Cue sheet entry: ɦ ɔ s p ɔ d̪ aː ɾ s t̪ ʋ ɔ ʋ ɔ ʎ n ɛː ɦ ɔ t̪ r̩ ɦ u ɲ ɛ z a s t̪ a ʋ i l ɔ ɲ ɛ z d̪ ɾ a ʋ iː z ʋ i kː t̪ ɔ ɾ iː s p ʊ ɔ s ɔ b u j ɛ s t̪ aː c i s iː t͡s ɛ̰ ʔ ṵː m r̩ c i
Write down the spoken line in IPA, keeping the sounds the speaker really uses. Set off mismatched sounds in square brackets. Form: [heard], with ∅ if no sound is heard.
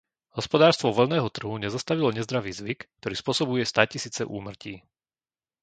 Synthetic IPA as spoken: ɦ ɔ s p ɔ d̪ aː ɾ s t̪ ʋ ɔ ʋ ɔ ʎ n ɛː ɦ ɔ t̪ r̩ ɦ u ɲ ɛ z a s t̪ a ʋ i l ɔ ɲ ɛ z d̪ ɾ a ʋ iː z ʋ i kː t̪ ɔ ɾ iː s p ʊ ɔ s ɔ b u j ɛ s t̪ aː c i s iː t͡s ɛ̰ ʔ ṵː m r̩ c [iː]